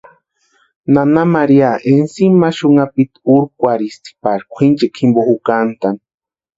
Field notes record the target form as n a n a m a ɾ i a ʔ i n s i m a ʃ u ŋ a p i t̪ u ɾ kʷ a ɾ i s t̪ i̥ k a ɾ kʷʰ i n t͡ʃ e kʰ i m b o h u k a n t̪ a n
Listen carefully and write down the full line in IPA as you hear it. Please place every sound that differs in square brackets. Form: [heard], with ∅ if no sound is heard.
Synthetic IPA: n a n a m a ɾ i a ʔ [e] n s i m a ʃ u ŋ a p i t̪ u ɾ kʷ a ɾ i s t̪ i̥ [p] a ɾ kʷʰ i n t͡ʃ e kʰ i m b o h u k a n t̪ a n